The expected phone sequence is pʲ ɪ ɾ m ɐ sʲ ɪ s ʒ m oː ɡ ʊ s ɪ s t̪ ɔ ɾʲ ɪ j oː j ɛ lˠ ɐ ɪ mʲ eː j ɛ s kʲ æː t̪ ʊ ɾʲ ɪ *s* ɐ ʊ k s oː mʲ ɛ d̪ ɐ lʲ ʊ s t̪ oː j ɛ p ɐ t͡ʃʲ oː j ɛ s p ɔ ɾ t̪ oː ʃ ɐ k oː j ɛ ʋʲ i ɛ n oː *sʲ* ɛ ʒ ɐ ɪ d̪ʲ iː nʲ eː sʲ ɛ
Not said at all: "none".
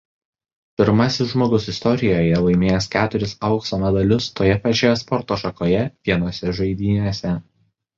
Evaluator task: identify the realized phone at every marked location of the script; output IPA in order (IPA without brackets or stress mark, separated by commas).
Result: s, sʲ